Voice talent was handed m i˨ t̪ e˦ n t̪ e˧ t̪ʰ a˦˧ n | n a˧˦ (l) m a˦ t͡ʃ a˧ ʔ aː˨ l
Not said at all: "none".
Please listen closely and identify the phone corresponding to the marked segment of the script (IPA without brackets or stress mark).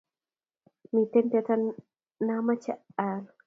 none